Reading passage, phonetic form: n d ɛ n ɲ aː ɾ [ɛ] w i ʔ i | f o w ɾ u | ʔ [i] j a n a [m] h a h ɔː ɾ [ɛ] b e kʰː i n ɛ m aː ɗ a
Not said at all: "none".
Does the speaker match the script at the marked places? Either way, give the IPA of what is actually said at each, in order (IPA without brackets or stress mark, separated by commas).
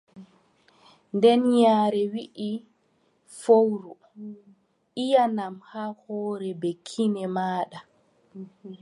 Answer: ɛ, i, m, ɛ